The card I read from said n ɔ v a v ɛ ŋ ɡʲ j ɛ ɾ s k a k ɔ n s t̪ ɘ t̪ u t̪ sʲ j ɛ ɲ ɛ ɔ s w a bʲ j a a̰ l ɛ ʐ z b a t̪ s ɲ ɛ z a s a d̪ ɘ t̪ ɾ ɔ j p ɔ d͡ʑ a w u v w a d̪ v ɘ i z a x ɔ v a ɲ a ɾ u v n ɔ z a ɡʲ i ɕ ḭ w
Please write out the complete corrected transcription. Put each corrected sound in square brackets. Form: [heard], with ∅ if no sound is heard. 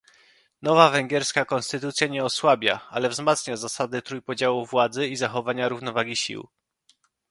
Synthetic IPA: n ɔ v a v ɛ ŋ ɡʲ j ɛ ɾ s k a k ɔ n s t̪ ɘ t̪ u t̪ sʲ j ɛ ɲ ɛ ɔ s w a bʲ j a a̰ l ɛ [v] z [m] a t̪ s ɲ [a] z a s a d̪ ɘ t̪ ɾ [u] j p ɔ d͡ʑ a w u v w a d̪ [z] ɘ i z a x ɔ v a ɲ a ɾ u v n ɔ [v] a ɡʲ i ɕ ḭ w